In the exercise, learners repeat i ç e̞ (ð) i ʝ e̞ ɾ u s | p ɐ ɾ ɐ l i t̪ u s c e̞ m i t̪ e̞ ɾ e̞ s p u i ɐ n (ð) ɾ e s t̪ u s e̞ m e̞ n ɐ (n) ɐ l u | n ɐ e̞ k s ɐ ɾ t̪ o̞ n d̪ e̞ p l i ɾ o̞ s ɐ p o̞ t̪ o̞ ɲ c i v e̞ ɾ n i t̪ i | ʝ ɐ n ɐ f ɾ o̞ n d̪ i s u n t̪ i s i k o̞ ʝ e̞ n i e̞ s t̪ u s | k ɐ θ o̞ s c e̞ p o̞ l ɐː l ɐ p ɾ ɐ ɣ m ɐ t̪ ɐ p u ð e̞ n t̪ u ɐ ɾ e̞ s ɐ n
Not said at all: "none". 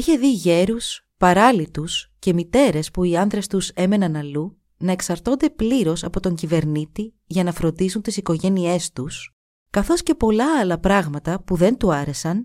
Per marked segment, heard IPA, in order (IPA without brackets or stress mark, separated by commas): ð, ð, n